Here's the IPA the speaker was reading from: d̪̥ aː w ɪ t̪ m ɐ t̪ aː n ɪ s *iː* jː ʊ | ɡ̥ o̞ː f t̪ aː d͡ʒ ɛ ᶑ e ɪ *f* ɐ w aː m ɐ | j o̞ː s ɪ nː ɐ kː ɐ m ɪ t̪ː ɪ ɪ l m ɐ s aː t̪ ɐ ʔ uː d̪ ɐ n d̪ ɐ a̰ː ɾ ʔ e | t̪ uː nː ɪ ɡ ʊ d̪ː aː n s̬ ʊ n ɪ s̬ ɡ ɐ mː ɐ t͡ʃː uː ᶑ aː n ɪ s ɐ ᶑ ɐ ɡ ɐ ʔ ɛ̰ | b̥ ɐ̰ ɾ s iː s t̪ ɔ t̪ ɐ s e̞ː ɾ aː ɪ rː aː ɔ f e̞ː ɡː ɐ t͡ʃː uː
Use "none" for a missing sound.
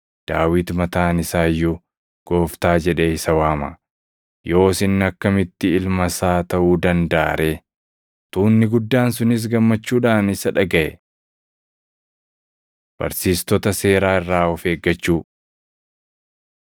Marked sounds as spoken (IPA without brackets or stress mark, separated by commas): aː, s